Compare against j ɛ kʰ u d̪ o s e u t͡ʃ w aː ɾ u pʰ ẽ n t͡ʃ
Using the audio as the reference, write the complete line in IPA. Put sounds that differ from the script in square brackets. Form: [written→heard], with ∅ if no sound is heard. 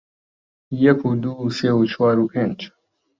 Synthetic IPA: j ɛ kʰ u d̪ [o→u] s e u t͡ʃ w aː ɾ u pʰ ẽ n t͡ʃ

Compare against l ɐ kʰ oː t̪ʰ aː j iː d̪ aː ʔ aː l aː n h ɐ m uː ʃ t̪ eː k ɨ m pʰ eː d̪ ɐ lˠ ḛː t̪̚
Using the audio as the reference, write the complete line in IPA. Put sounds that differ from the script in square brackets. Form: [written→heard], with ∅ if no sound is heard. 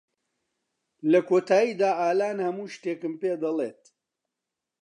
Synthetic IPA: l ɐ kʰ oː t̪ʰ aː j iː d̪ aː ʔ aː l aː n h ɐ m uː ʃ t̪ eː k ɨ m [pʰ→p] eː d̪ ɐ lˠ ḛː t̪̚

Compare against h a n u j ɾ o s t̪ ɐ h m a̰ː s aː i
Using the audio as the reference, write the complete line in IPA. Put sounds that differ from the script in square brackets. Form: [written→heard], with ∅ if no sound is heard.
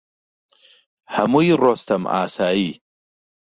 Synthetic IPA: h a [n→m] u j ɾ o s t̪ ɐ [h→∅] m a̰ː s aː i

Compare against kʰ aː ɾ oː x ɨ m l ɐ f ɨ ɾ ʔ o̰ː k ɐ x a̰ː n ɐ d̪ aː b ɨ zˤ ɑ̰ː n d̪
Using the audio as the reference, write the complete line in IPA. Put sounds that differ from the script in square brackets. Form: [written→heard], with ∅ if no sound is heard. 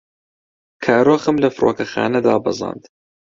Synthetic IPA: kʰ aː ɾ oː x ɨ m l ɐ f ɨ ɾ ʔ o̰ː k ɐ x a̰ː n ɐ d̪ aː b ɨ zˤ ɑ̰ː n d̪

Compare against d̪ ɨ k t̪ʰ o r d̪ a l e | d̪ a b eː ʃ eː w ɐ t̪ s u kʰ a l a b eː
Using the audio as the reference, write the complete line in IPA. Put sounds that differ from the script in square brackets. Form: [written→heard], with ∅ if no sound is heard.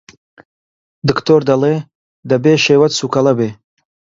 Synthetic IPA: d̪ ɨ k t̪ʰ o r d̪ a l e | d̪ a b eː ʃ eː w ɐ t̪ s u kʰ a l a b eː

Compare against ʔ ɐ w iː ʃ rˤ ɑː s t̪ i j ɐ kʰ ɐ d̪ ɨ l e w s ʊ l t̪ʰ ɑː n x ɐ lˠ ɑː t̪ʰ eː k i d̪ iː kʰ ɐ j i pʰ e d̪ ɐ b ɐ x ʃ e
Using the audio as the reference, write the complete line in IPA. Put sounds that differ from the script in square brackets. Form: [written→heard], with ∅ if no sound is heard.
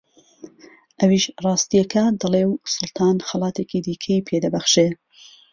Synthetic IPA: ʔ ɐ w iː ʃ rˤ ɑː s t̪ i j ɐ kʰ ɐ d̪ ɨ l e w s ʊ l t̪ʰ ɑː n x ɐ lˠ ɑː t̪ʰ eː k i d̪ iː kʰ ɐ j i pʰ e d̪ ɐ b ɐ x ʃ e

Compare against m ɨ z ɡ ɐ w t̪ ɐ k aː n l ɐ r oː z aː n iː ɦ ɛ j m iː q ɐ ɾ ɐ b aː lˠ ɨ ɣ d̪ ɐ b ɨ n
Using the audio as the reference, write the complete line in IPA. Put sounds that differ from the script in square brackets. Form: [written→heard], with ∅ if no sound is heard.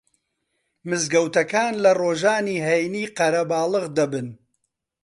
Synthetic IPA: m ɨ z ɡ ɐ w t̪ ɐ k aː n l ɐ r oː [z→ʒ] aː n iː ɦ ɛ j [m→n] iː q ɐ ɾ ɐ b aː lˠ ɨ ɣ d̪ ɐ b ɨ n

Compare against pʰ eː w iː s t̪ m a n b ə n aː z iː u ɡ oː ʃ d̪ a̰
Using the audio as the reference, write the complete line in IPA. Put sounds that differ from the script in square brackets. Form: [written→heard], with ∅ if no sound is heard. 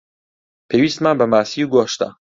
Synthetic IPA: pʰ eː w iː s t̪ m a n b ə [n→m] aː [z→s] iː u ɡ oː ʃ [d̪→t̪] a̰

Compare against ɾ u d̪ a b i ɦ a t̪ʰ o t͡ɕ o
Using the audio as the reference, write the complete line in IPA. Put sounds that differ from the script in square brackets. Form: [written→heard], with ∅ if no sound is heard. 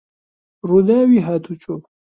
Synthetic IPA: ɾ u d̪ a [b→w] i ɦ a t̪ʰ [o→u] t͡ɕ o

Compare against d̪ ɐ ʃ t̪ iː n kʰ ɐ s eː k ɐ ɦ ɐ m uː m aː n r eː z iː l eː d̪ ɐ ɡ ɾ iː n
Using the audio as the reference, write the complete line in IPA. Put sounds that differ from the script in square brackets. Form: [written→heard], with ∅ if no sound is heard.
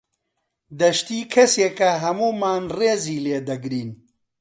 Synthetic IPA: d̪ ɐ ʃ t̪ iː [n→∅] kʰ ɐ s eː k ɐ ɦ ɐ m uː m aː n r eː z iː l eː d̪ ɐ ɡ ɾ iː n

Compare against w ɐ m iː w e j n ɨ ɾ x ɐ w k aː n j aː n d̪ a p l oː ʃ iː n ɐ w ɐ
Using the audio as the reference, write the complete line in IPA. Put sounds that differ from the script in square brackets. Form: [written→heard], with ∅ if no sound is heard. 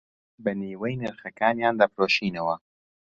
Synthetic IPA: [w→b] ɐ [m→n] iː w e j n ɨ ɾ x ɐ [w→∅] k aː n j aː n d̪ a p [l→ɾ] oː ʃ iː n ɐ w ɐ

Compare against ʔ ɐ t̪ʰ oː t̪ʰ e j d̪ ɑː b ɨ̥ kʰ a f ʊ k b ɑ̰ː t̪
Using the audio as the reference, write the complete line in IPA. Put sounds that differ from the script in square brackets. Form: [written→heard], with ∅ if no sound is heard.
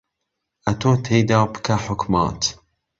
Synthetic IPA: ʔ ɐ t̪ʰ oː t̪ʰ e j d̪ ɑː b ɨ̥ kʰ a [f→ħ] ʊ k [b→m] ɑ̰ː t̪

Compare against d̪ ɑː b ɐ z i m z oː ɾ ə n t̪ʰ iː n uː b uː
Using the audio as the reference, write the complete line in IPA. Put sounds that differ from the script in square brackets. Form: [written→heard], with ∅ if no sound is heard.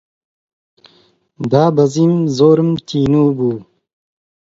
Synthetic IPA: d̪ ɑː b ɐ z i m z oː ɾ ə [n→m] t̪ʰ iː n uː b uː

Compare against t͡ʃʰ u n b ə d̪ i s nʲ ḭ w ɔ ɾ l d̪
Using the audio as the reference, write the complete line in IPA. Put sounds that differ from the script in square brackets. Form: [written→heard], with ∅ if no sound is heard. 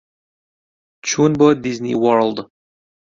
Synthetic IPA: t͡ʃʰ u n b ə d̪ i [s→z] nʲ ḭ w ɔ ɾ l d̪

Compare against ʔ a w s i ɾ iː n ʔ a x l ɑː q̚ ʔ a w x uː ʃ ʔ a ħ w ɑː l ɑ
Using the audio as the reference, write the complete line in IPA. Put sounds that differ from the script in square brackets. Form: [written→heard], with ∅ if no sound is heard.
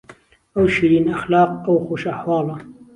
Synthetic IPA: ʔ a w [s→ʃ] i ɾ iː n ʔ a x l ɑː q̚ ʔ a w x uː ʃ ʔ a ħ w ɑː l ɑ

